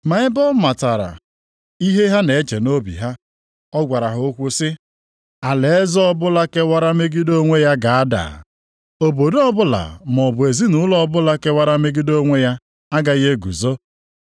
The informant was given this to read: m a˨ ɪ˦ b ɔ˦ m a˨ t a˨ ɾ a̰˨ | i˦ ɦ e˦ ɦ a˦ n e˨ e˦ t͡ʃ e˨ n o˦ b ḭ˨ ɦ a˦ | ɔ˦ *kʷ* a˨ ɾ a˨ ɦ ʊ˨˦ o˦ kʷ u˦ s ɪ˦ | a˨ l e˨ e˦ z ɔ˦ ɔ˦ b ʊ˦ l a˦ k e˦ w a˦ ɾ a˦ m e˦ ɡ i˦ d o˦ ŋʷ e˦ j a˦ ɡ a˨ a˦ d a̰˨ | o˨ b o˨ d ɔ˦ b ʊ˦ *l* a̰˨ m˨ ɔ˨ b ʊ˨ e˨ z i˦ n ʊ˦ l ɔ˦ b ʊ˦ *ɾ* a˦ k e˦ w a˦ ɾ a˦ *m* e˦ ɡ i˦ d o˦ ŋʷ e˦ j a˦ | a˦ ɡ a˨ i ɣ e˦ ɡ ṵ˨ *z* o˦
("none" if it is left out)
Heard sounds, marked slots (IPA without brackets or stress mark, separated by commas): ɡʷ, l, l, m, z